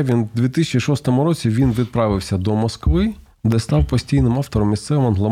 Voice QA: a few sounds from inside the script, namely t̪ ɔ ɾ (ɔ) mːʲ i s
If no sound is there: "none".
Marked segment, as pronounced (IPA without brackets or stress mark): ɔ